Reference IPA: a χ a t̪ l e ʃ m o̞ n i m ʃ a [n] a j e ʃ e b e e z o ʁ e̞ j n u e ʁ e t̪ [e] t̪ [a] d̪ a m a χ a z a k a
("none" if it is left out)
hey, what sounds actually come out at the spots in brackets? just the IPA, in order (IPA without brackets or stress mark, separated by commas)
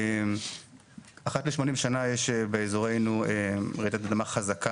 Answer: n, a, a